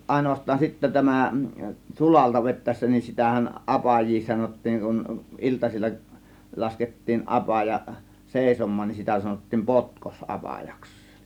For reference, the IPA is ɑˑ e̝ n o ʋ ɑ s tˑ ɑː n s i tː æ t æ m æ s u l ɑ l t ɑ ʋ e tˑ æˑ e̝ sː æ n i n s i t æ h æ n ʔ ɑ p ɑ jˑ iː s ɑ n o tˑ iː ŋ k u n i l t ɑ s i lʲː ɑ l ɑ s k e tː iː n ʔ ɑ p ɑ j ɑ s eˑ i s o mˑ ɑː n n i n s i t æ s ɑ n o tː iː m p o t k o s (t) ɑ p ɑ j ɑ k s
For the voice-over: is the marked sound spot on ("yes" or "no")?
no